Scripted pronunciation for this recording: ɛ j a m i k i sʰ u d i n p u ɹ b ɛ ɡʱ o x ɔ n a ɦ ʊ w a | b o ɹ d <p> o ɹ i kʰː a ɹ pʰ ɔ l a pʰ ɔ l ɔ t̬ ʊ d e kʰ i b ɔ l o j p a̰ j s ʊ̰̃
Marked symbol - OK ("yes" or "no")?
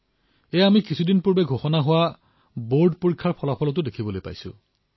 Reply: yes